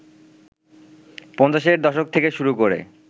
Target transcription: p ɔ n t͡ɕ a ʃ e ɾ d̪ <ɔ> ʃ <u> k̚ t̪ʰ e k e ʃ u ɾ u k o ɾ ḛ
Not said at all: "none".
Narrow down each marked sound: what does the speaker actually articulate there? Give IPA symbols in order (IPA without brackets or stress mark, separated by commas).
ɔ, o